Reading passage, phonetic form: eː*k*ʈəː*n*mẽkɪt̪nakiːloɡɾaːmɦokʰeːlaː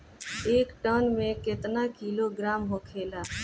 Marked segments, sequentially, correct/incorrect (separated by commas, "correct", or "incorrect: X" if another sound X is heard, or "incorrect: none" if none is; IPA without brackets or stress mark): correct, correct